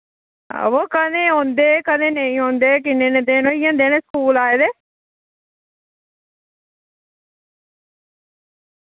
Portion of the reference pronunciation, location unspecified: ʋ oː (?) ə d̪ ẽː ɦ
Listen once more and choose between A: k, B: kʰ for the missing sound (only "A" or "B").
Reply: A